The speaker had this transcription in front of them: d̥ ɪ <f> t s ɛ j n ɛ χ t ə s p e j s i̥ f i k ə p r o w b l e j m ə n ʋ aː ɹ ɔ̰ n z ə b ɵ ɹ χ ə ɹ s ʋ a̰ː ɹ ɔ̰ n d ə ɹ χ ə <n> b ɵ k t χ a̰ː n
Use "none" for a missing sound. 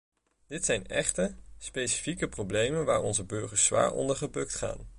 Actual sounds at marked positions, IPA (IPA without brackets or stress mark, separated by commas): none, none